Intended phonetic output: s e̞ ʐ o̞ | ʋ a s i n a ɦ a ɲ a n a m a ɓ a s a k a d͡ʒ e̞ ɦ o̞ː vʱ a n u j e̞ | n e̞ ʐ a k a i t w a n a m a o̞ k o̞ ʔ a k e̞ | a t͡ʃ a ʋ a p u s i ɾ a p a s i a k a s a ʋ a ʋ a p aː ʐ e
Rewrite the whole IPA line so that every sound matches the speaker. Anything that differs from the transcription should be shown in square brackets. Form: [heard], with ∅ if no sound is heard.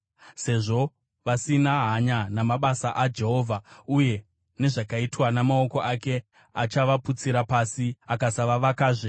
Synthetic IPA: s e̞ ʐ o̞ | ʋ a s i n a ɦ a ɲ a n a m a ɓ a s a [ʔ] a d͡ʒ e̞ ɦ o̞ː vʱ a [∅] u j e̞ | n e̞ ʐ a k a i t w a n a m a o̞ k o̞ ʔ a k e̞ | a t͡ʃ a ʋ a p u [t͡s] i ɾ a p a s i a k a s a ʋ a ʋ a [k] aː ʐ e